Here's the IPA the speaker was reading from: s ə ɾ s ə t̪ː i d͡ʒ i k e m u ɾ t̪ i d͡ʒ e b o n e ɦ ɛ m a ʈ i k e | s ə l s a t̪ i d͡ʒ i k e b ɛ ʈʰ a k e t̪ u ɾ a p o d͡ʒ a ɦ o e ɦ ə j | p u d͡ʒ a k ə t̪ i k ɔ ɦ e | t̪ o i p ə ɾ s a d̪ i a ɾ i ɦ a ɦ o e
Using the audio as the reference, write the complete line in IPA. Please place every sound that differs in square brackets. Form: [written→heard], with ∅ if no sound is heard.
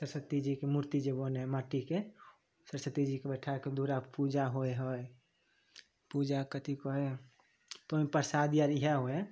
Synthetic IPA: s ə ɾ s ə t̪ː i d͡ʒ i k e m u ɾ t̪ i d͡ʒ e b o n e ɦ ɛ m a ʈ i k e | s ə [l→ɾ] s [a→ə] t̪ i d͡ʒ i k e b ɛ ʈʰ a k e [t̪→d̪] u ɾ a p [o→u] d͡ʒ a ɦ o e ɦ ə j | p u d͡ʒ a k ə t̪ i k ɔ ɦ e | t̪ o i p ə ɾ s a d̪ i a ɾ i ɦ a ɦ o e

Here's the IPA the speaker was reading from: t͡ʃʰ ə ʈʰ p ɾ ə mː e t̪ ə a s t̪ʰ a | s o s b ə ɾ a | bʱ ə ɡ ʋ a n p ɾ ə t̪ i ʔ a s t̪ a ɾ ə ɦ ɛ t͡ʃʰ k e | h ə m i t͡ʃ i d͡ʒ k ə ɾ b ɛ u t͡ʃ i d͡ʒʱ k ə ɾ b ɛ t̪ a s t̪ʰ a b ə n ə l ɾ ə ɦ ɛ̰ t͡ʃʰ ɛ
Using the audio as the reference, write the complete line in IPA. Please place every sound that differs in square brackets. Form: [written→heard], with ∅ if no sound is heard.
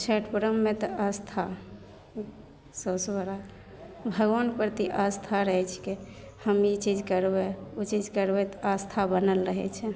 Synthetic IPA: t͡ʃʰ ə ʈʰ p ɾ ə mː e t̪ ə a s t̪ʰ a | s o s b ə ɾ a | bʱ ə ɡ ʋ a n p ɾ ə t̪ i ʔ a s [t̪→t̪ʰ] a ɾ ə ɦ ɛ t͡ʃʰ k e | h ə m i t͡ʃ i d͡ʒ k ə ɾ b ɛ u t͡ʃ i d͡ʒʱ k ə ɾ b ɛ t̪ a s t̪ʰ a b ə n ə l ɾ ə ɦ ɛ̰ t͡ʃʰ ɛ

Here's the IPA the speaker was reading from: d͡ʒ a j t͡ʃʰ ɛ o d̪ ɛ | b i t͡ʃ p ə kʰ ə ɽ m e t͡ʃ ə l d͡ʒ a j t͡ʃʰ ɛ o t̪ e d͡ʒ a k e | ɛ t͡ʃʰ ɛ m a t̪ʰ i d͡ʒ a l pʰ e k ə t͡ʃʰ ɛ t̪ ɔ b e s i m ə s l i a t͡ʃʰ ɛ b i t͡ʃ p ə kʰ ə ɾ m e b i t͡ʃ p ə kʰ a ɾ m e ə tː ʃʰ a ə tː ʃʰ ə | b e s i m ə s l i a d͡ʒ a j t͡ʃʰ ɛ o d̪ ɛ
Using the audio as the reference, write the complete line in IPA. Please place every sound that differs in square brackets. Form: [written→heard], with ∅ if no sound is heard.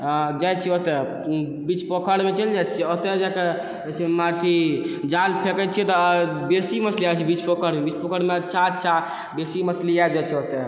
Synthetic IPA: d͡ʒ a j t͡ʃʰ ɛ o [d̪→t̪] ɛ | b i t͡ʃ p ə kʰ ə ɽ m e t͡ʃ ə l d͡ʒ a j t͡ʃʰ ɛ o t̪ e d͡ʒ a k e | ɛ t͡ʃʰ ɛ m a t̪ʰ i d͡ʒ a l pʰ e k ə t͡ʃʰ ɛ t̪ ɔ b e s i m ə s l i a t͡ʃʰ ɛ b i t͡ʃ p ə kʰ ə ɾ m e b i t͡ʃ p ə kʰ [a→ə] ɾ m e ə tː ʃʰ a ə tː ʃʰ [ə→a] | b e s i m ə s l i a d͡ʒ a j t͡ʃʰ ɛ o [d̪→t̪] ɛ

